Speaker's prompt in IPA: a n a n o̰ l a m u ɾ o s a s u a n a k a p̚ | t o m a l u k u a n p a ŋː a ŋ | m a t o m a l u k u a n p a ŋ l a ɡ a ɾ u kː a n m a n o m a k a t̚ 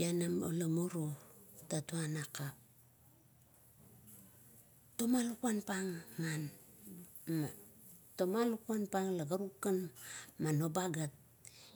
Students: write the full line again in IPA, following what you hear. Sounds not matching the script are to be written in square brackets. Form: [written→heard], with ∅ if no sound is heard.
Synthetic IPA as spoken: a n a [n→m] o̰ l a m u ɾ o [s→t] a [s→t] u a n a k a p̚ | t o m a l u k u a n p a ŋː a [ŋ→n] | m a t o m a l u k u a n p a ŋ l a ɡ a ɾ u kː a n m a n o [m→b] a [k→ɡ] a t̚